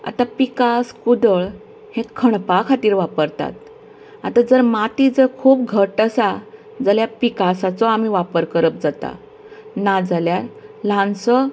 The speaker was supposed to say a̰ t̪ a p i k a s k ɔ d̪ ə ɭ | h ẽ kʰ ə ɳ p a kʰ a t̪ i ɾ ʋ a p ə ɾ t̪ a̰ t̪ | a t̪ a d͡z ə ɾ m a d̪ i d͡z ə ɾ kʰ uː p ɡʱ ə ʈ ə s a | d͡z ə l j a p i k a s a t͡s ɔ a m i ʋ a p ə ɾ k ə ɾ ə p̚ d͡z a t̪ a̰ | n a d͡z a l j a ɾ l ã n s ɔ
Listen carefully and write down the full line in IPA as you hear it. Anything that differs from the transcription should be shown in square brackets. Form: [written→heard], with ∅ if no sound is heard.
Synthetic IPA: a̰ t̪ a p i k a s k [ɔ→u] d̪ ə ɭ | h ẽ kʰ ə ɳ p a kʰ a t̪ [i→iː] ɾ ʋ a p ə ɾ t̪ a̰ t̪ | a t̪ a d͡z ə ɾ m a [d̪→t̪] i d͡z ə ɾ kʰ uː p ɡʱ ə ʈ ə s a | d͡z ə l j a p i k a s a t͡s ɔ a m i ʋ a p ə ɾ k ə ɾ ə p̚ d͡z a t̪ a̰ | n a d͡z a l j a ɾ l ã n s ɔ